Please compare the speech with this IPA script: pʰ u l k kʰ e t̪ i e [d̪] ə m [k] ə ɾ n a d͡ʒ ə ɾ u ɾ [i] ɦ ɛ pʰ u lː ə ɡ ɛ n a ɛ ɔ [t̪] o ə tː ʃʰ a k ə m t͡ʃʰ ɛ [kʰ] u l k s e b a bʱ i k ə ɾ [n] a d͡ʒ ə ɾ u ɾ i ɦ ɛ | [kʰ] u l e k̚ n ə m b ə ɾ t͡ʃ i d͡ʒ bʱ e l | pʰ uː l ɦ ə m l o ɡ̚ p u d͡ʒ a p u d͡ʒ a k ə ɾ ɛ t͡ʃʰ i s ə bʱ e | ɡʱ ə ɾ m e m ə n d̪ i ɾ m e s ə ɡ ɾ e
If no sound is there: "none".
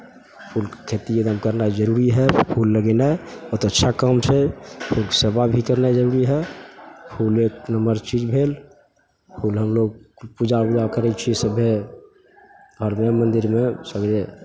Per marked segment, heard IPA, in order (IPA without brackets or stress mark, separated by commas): d̪, k, i, t̪, pʰ, n, pʰ